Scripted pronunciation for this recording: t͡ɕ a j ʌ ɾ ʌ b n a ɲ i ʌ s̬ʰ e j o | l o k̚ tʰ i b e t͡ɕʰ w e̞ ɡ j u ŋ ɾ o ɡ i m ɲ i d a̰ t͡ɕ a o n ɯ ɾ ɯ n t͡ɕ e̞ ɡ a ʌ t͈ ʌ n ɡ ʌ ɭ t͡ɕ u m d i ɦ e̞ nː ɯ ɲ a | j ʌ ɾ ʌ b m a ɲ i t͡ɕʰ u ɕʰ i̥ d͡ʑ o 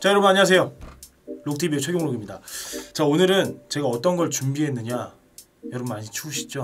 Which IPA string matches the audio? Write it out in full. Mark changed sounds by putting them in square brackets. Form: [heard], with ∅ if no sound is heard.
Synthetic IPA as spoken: t͡ɕ a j ʌ ɾ ʌ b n a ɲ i [a] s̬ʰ e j o | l o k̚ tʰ i b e t͡ɕʰ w e̞ ɡ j [o] ŋ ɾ o ɡ i m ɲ i d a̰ t͡ɕ a o n ɯ ɾ ɯ n t͡ɕ e̞ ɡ a ʌ t͈ ʌ n ɡ ʌ ɭ t͡ɕ u m [b] i ɦ e̞ nː ɯ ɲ a | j ʌ ɾ ʌ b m a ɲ i t͡ɕʰ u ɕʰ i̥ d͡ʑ o